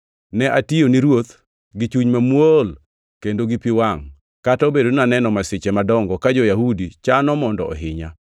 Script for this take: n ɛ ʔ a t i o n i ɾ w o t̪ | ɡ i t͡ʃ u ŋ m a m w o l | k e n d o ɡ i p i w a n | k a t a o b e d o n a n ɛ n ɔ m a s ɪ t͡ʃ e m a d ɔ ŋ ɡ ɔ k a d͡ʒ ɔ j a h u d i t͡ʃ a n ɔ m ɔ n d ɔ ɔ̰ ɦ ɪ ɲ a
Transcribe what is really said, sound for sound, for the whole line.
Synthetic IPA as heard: n ɛ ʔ a t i o n i ɾ w o t̪ | ɡ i t͡ʃ u ɲ m a m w o l | k e n d o ɡ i p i w a ŋ | k a t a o b e d o n a n ɛ n ɔ m a s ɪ t͡ʃ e m a d ɔ ŋ ɡ ɔ k a d͡ʒ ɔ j a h u d i t͡ʃ a n ɔ m ɔ n d ɔ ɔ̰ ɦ ɪ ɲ a